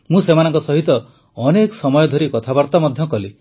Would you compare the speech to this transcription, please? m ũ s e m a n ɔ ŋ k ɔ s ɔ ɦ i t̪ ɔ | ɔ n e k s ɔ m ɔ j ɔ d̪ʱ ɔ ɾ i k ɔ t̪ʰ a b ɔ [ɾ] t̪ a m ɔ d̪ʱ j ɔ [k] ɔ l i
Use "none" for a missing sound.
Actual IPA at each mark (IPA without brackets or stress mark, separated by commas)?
ɾ, k